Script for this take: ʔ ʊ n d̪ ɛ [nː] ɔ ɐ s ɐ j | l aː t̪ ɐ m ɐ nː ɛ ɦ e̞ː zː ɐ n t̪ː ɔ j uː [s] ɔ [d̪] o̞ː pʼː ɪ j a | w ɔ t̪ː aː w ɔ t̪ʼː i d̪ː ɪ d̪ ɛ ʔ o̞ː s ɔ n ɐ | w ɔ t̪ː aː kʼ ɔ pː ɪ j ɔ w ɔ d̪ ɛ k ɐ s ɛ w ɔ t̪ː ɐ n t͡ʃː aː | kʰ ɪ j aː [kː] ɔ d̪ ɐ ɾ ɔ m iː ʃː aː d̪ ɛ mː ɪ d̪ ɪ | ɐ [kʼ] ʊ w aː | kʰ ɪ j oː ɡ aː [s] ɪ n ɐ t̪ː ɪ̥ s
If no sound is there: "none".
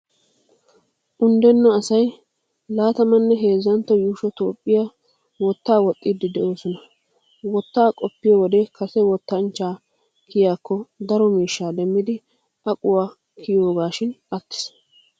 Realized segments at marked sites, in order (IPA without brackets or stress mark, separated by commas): nː, ʃ, t̪, kː, kʼ, ʃ